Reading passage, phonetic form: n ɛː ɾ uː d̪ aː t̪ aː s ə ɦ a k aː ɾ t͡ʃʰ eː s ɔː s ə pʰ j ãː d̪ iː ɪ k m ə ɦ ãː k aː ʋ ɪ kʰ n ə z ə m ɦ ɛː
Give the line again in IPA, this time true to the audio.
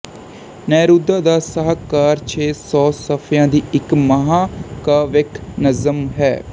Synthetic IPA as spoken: n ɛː ɾ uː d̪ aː d̪ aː s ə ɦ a k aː ɾ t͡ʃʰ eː s ɔː s ə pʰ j ãː d̪ iː ɪ k m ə ɦ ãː k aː ʋ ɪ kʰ n ə z ə m ɦ ɛː